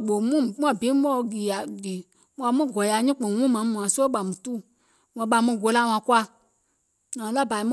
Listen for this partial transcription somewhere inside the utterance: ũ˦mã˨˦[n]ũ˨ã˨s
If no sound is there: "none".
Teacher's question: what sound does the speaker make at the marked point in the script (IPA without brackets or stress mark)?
m